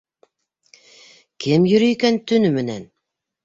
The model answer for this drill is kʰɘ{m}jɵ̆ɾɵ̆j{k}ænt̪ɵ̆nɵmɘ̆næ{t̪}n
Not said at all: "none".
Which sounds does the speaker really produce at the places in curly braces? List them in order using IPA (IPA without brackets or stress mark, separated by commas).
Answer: m, k, none